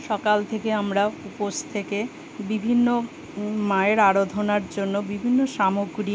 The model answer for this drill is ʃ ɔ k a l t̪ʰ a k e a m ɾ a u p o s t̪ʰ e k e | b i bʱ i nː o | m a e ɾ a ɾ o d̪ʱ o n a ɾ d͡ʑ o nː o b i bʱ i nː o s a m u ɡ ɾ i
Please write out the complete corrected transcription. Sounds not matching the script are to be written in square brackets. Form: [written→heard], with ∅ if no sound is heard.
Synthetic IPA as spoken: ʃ ɔ k a l t̪ʰ [a→e] k e a m ɾ a u p o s t̪ʰ e k e | b i bʱ i nː o | m a e ɾ a ɾ o d̪ʱ o n a ɾ d͡ʑ o nː o b i bʱ i nː o [s→ʃ] a m [u→o] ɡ ɾ i